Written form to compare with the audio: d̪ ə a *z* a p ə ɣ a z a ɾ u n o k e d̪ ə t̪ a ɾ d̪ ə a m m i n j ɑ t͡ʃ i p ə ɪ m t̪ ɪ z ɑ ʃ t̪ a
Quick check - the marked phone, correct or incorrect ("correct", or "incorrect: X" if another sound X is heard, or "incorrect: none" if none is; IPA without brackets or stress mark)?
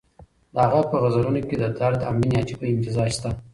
incorrect: ɣ